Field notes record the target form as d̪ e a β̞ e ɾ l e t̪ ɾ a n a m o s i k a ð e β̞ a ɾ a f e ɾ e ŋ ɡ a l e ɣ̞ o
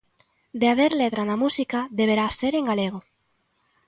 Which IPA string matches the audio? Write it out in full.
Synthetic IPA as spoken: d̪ e a β̞ e ɾ l e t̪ ɾ a n a m u s i k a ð e β̞ e ɾ a s e ɾ e ŋ ɡ a l e ɣ̞ o